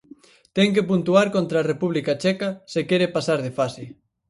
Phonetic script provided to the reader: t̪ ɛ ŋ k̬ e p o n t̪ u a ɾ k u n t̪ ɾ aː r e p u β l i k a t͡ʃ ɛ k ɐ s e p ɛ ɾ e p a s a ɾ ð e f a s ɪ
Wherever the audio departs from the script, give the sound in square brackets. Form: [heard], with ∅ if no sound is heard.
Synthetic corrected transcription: t̪ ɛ ŋ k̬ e p [u] n t̪ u a ɾ k [o] n t̪ ɾ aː r e p u β l i k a t͡ʃ ɛ k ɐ s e [k] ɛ ɾ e p a s a ɾ ð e f a s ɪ